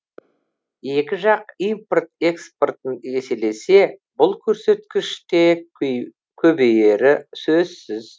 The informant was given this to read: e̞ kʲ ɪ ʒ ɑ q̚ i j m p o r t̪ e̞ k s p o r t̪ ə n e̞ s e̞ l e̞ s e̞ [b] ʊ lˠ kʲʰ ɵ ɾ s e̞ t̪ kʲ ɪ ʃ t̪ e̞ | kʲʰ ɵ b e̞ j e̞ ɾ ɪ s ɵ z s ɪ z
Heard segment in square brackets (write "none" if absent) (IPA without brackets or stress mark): b